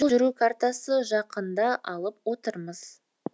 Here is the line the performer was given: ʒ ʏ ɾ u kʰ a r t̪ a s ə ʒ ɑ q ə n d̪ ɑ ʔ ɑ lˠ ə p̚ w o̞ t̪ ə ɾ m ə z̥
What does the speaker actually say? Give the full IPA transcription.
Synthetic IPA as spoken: ʒ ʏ ɾ u kʰ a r t̪ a s ə ʒ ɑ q ə n d̪ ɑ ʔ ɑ lˠ ə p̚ w o̞ t̪ ə ɾ m ə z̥

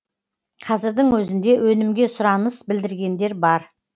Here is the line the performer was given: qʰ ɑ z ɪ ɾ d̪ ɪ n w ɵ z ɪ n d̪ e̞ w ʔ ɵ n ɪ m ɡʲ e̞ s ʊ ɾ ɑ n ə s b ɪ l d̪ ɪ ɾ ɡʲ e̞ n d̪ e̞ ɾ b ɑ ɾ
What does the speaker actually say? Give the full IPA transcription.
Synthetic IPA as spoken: qʰ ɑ z ɪ ɾ d̪ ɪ ŋ w ɵ z ɪ n d̪ e̞ w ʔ ɵ n ɪ m ɡʲ e̞ s ʊ ɾ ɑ n ə s b ɪ l d̪ ɪ ɾ ɡʲ e̞ n d̪ e̞ ɾ b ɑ ɾ

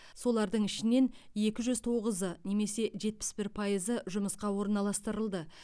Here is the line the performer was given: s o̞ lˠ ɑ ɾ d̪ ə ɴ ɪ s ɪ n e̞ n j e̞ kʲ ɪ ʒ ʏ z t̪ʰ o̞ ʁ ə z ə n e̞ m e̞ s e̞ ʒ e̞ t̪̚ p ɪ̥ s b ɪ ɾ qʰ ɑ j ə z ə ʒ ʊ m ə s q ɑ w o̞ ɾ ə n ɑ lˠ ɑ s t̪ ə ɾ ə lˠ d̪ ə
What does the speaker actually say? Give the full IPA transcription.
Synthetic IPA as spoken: s o̞ lˠ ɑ ɾ d̪ ə ɴ ɪ ʃ ɪ n e̞ n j e̞ kʲ ɪ ʒ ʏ z t̪ʰ o̞ ʁ ə z ə n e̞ m e̞ s e̞ ʒ e̞ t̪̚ p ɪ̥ s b ɪ ɾ pʰ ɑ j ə z ə ʒ ʊ m ə s q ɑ w o̞ ɾ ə n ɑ lˠ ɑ s t̪ ə ɾ ə lˠ d̪ ə

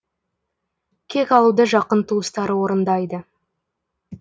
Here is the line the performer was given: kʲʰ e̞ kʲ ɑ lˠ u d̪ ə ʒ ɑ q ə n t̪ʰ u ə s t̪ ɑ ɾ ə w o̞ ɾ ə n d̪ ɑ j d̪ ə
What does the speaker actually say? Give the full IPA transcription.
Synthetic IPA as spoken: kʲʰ e̞ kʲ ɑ lˠ u d̪ ə ʒ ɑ q ə n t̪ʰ u ə s t̪ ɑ ɾ ə w o̞ ɾ ə n d̪ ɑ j d̪ ə

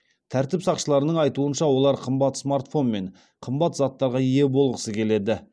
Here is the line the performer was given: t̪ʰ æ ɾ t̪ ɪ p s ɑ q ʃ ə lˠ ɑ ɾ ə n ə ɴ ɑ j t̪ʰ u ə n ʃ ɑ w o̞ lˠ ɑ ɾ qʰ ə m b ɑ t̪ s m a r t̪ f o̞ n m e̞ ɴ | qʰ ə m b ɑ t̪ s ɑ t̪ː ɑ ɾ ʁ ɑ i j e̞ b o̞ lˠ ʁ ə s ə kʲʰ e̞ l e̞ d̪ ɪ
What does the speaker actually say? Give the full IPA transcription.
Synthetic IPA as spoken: t̪ʰ æ ɾ t̪ ɪ p s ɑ q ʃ ə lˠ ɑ ɾ ə n ə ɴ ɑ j t̪ u ə n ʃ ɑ w o̞ lˠ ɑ ɾ qʰ ə m b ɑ t̪ s m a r t̪ f o̞ n m e̞ ɴ | qʰ ə m b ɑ t̪ z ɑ t̪ː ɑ ɾ ʁ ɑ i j e̞ b o̞ lˠ ʁ ə s ə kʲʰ e̞ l e̞ d̪ ɪ

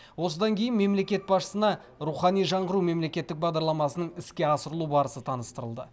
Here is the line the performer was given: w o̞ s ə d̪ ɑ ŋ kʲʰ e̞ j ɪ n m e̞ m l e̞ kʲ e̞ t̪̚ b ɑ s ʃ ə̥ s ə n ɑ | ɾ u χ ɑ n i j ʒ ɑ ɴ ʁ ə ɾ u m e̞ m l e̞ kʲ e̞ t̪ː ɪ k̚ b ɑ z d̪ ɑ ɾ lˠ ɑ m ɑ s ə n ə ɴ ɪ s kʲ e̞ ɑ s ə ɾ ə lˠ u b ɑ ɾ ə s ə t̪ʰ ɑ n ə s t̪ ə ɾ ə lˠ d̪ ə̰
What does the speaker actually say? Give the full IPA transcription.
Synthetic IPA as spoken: w o̞ s ə d̪ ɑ ŋ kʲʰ e̞ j ɪ n m e̞ m l e̞ kʲ e̞ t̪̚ b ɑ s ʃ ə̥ s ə n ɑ | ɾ u χ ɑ n i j ʒ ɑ ɴ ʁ ə ɾ u m e̞ m l e̞ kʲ e̞ t̪ː ɪ k̚ b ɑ ʁ d̪ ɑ ɾ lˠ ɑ m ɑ s ə n ə ɴ ɪ s kʲ e̞ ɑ s ə ɾ ə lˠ u b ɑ ɾ ə s ə t̪ʰ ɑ n ə s t̪ ə ɾ ə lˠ d̪ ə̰

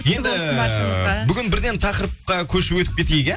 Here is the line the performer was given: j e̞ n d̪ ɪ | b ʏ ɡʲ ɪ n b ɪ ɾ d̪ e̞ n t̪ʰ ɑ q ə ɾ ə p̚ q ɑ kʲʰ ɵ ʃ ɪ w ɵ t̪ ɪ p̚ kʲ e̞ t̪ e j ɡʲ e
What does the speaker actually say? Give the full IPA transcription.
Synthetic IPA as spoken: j e̞ n d̪ ɪ | b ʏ ɡʲ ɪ n b ɪ ɾ d̪ e̞ n t̪ʰ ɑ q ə ɾ ə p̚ q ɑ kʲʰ ɵ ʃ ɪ w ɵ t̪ ɪ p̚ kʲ e̞ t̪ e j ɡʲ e

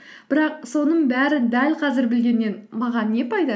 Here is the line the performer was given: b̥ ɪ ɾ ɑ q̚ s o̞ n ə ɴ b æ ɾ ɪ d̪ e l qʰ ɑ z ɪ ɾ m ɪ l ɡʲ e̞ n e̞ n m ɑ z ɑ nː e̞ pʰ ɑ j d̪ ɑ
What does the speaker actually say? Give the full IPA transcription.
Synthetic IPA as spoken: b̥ ɪ ɾ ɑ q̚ s o̞ n ə ɴ b æ ɾ ɪ d̪ æ l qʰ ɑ z ɪ ɾ b ɪ l ɡʲ e̞ nː e̞ n m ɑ ʁ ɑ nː e̞ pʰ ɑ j d̪ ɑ

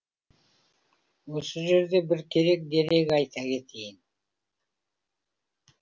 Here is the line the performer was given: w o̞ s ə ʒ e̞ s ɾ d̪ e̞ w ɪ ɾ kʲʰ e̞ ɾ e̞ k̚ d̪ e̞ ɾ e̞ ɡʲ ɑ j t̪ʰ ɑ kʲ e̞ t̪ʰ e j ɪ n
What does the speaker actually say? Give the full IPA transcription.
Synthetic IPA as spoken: w o̞ s ə ʒ e̞ ɾ d̪ e̞ b ɪ ɾ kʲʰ e̞ ɾ e̞ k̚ d̪ e̞ ɾ e̞ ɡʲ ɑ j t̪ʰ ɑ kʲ e̞ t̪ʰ e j ɪ n

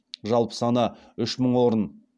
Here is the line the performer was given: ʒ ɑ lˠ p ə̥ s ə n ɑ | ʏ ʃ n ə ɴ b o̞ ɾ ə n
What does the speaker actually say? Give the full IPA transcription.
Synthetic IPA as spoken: ʒ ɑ lˠ p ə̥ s ɑ n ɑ | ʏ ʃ m ə ɴ w o̞ ɾ ə n

